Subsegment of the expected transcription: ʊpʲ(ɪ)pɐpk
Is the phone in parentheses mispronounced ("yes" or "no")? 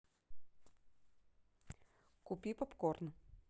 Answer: yes